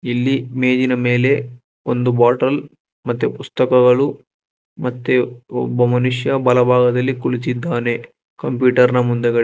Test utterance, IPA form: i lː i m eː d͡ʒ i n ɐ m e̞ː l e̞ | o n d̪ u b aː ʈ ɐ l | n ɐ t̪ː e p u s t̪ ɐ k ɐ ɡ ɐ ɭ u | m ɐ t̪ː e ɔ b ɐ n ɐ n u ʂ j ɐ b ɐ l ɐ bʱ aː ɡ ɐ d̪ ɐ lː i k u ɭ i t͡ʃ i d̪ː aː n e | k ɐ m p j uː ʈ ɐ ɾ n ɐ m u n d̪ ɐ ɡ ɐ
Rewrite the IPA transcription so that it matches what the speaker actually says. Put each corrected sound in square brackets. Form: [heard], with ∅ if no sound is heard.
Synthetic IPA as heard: i lː i m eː d͡ʒ i n ɐ m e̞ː l e̞ | o n d̪ u b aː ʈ ɐ l | [m] ɐ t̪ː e p u s t̪ ɐ k ɐ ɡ ɐ ɭ u | m ɐ t̪ː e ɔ b ɐ [m] ɐ n u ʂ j ɐ b ɐ l ɐ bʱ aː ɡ ɐ d̪ ɐ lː i k u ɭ i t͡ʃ i d̪ː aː n e | k ɐ m p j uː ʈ ɐ ɾ n ɐ m u n d̪ ɐ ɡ ɐ